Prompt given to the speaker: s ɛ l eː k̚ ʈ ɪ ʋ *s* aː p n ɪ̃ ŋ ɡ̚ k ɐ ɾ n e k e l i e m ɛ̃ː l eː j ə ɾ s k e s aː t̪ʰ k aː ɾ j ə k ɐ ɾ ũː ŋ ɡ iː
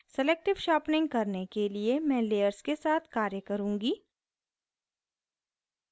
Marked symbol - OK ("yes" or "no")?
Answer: no